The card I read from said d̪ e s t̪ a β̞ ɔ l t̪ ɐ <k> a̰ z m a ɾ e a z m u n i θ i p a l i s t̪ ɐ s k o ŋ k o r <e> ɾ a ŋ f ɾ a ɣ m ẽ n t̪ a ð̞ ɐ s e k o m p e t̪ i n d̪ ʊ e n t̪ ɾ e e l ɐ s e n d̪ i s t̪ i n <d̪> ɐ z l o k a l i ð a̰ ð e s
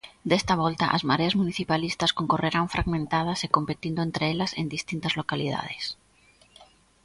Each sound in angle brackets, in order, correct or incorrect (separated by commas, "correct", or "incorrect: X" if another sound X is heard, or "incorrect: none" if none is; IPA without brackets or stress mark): incorrect: ʔ, correct, incorrect: t̪